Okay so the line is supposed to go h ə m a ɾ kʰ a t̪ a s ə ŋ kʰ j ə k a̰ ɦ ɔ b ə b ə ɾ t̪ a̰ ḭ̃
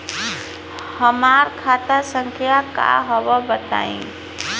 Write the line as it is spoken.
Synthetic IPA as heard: h ə m a ɾ kʰ a t̪ a s ə ŋ kʰ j a k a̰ ɦ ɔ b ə b ə t̪ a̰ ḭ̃